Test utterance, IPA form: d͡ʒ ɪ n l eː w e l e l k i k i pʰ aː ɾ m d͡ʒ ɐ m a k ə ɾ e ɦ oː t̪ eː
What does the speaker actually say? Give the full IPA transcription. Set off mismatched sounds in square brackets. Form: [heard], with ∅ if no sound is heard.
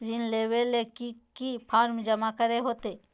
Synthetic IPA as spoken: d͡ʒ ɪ n l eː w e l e [∅] k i k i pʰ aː ɾ m d͡ʒ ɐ m a k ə ɾ e ɦ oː t̪ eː